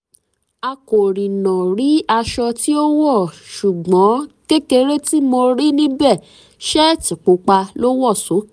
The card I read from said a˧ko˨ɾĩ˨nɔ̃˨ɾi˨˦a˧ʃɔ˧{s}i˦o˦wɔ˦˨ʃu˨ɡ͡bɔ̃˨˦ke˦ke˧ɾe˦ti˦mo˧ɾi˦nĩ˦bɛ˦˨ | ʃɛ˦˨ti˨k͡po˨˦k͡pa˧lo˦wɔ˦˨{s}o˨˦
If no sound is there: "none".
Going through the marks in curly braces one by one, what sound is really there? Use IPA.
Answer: t, s

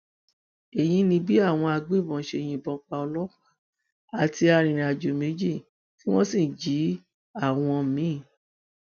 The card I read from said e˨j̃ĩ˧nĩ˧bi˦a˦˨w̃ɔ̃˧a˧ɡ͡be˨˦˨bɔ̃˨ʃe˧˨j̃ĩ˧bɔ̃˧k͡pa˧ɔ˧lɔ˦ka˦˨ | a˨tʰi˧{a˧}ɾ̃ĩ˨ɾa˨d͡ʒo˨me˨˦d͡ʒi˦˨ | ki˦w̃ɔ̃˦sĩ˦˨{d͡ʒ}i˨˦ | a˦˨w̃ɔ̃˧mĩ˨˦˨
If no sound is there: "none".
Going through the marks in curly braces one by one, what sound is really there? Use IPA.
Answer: a˧, d͡ʒ

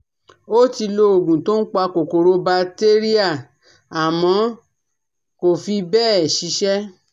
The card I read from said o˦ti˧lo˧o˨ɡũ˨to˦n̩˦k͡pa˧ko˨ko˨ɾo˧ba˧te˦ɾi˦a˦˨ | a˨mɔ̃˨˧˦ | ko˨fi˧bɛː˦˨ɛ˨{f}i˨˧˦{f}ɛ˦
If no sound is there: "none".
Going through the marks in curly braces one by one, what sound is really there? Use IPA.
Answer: ʃ, ʃ

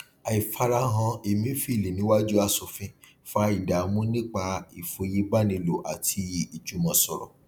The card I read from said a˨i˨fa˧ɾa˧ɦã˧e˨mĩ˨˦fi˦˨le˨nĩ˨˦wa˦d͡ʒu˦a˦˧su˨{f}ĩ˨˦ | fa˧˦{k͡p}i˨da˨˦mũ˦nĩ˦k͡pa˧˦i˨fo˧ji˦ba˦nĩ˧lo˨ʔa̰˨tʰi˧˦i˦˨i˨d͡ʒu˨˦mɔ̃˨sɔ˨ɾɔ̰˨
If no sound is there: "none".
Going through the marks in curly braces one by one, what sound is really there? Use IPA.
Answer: f, none

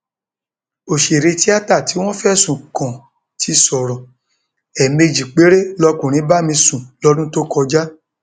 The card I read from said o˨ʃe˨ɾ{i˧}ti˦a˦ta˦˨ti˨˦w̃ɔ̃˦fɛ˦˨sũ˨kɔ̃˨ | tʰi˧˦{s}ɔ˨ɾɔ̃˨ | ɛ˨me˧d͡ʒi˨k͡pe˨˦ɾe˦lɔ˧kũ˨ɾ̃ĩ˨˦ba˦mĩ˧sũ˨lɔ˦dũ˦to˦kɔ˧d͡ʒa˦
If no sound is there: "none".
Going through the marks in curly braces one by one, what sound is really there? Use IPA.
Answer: e˧, s

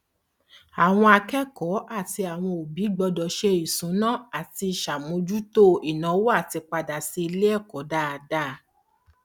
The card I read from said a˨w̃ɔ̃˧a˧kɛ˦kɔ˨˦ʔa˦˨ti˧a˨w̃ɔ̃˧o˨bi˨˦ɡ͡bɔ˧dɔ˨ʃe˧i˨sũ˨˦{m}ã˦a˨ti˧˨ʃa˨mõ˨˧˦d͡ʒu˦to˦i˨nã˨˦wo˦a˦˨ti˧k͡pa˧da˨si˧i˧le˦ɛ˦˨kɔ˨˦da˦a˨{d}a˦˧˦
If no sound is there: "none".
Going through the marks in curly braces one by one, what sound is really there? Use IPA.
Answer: n, d

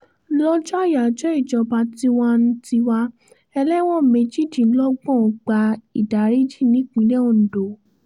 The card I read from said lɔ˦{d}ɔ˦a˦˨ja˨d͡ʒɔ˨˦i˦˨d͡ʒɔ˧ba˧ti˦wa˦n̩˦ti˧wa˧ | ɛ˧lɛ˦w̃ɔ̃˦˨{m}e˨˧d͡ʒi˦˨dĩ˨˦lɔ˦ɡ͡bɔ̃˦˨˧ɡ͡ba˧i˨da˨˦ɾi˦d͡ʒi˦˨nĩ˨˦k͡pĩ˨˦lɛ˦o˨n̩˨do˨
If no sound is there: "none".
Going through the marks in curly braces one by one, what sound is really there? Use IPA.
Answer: d͡ʒ, m

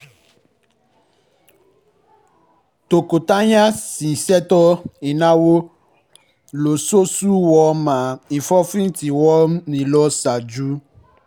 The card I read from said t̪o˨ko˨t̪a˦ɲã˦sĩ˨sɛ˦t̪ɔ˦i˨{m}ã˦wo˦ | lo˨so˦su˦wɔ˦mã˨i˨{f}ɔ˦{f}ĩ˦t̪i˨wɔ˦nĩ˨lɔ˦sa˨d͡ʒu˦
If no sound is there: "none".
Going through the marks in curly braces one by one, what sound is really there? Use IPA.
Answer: n, f, f

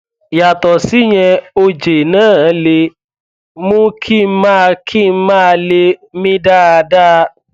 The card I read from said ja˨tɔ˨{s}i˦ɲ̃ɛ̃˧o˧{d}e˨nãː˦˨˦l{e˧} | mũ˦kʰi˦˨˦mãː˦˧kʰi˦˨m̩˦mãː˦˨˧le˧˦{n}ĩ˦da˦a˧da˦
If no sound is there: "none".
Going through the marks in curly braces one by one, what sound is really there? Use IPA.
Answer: s, d͡ʒ, e˧, m

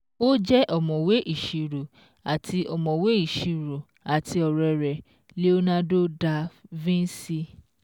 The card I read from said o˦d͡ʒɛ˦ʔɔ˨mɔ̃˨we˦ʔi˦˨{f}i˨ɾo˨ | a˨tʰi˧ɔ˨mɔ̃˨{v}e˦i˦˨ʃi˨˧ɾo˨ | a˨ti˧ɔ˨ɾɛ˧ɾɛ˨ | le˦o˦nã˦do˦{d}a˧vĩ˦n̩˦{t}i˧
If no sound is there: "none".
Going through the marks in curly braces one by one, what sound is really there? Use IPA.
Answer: ʃ, w, d, s

